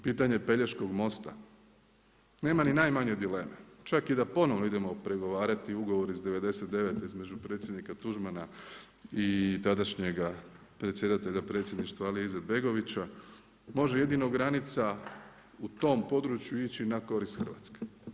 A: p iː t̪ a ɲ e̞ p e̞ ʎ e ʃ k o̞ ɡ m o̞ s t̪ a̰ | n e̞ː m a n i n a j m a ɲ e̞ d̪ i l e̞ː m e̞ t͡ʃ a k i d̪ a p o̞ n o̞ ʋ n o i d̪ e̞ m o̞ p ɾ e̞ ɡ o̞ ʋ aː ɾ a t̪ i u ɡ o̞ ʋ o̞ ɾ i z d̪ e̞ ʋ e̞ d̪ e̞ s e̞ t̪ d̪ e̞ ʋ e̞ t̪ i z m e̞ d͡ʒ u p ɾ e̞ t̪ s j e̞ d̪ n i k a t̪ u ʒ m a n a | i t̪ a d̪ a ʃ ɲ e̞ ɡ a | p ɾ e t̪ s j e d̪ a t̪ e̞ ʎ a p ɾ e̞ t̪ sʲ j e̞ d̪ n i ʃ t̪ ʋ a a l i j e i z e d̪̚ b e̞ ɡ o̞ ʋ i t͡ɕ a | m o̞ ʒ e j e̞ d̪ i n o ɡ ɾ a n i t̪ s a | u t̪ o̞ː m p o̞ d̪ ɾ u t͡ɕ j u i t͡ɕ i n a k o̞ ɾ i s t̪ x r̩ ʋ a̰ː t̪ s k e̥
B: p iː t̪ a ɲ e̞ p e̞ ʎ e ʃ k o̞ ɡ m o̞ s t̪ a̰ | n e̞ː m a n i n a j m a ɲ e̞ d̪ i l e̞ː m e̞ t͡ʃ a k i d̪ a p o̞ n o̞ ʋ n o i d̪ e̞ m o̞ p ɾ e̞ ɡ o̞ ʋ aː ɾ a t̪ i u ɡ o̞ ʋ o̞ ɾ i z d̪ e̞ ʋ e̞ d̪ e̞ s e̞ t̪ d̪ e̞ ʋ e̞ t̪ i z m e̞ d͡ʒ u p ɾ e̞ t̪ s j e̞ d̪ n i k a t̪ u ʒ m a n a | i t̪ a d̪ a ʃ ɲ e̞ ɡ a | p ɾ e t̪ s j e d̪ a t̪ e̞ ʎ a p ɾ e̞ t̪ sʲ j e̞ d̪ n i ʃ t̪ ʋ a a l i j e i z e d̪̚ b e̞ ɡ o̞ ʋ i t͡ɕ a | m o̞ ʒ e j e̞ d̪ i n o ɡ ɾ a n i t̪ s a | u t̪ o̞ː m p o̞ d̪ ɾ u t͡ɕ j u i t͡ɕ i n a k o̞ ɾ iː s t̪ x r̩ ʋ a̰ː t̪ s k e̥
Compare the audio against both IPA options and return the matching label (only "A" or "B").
A